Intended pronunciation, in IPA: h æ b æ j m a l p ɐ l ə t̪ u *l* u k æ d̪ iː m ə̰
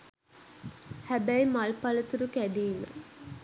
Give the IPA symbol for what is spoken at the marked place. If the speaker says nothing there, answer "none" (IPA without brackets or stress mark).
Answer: ɾ